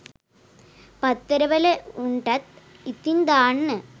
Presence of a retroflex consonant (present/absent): present